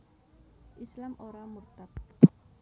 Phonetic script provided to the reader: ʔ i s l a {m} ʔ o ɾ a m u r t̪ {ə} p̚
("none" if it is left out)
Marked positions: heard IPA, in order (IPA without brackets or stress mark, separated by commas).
m, a